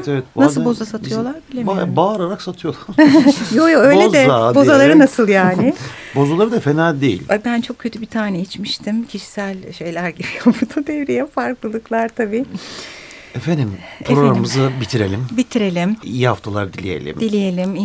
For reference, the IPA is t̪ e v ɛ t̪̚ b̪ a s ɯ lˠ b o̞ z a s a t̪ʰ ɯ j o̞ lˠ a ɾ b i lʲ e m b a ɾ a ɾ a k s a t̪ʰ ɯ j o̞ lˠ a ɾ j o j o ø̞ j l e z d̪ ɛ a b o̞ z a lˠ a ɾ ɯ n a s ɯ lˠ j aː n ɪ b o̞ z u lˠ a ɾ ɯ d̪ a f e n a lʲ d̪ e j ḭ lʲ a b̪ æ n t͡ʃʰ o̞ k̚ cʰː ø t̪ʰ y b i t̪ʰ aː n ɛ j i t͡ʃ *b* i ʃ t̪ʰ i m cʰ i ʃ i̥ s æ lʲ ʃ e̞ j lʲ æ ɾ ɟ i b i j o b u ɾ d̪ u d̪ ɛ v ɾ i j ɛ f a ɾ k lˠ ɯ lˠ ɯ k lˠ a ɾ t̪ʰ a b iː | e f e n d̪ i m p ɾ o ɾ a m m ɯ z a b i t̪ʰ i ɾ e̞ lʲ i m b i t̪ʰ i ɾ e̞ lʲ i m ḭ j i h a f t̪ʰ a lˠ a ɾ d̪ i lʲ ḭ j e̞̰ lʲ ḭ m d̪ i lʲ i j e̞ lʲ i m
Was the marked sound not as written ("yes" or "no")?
yes